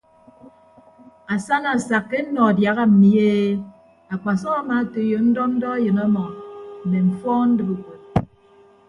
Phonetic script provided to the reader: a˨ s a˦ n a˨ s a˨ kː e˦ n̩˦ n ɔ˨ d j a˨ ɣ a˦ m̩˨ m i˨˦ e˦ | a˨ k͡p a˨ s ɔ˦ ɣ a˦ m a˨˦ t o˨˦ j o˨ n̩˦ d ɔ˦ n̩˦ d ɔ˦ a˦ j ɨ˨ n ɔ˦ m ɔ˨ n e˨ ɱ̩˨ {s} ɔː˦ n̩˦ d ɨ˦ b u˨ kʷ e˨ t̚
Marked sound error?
yes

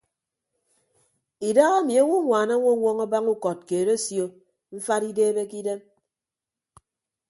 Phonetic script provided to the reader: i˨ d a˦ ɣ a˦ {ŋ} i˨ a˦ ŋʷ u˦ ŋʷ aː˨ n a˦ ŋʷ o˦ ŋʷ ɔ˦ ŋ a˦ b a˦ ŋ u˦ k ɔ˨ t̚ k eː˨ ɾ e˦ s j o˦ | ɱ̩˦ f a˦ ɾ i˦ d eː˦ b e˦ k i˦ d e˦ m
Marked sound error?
yes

